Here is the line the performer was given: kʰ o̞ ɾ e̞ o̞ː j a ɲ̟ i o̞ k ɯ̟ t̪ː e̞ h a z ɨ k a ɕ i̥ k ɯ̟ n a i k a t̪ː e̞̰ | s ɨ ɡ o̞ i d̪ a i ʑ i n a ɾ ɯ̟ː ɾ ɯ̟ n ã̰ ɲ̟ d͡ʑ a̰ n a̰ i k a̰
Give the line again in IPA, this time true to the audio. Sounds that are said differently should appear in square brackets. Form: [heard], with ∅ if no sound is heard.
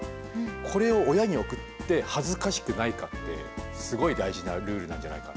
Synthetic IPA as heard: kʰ o̞ ɾ e̞ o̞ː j a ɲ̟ i o̞ k ɯ̟ t̪ː e̞ h a z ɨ k a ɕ i̥ k ɯ̟ n a i k a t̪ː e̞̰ | s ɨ ɡ o̞ i d̪ a i ʑ i n a ɾ ɯ̟ː ɾ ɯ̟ n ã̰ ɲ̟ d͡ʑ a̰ n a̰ i k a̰